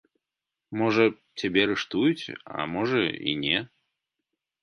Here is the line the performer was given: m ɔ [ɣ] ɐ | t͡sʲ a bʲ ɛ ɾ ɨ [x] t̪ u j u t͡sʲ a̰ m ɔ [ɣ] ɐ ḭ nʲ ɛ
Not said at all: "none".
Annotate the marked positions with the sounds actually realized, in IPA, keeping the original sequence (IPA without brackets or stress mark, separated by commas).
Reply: ʐ, ʂ, ʐ